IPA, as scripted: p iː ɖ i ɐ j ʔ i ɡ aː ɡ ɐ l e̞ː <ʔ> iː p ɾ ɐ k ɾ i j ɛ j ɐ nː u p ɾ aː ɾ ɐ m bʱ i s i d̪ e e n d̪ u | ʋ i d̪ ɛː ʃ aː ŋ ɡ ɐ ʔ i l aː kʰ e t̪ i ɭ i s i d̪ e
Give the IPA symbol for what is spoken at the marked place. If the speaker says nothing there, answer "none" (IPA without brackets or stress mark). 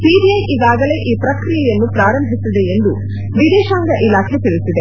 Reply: ʔ